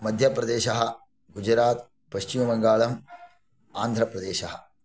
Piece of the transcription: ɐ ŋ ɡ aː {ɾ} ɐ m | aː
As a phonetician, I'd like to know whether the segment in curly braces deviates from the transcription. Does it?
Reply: yes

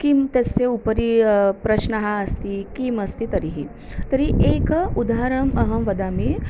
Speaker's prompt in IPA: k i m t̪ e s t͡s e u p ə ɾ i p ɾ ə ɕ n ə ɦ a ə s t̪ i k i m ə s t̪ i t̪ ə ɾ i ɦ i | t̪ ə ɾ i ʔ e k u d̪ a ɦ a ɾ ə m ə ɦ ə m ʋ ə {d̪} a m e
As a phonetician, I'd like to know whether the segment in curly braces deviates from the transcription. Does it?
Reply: no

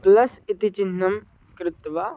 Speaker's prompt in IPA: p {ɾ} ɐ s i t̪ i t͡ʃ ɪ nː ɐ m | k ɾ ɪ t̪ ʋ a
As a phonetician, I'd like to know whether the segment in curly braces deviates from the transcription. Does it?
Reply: yes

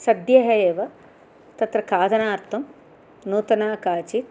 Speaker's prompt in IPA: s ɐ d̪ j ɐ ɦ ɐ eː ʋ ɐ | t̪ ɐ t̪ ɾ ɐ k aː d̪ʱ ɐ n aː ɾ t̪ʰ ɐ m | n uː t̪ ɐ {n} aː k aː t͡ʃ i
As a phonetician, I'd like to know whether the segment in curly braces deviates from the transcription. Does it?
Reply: no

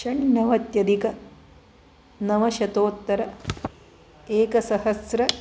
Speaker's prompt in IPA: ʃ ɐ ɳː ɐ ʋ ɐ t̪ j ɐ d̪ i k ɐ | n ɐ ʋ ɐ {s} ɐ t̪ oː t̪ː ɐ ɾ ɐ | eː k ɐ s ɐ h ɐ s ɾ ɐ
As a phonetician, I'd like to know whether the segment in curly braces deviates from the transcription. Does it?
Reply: yes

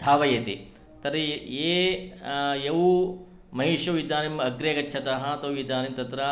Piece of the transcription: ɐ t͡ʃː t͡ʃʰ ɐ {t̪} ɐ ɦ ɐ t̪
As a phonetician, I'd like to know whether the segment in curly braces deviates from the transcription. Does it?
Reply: no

